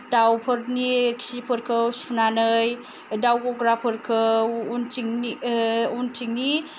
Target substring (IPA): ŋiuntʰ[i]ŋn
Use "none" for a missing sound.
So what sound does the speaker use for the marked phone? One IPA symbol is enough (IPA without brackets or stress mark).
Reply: i